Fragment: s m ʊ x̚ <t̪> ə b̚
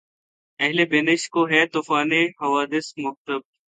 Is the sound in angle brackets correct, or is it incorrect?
correct